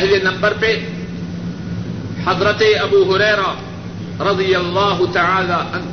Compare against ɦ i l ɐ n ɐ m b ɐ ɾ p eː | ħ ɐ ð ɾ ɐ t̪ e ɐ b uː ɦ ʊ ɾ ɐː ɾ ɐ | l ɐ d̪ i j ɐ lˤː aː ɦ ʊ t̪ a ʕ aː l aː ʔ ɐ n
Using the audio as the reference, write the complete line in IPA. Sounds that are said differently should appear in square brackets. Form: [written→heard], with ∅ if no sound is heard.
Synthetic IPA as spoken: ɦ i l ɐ n ɐ m b ɐ ɾ p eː | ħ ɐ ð ɾ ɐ t̪ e ɐ b uː ɦ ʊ ɾ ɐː ɾ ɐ | [l→ɾ] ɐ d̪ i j ɐ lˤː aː ɦ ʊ t̪ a ʕ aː l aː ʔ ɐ n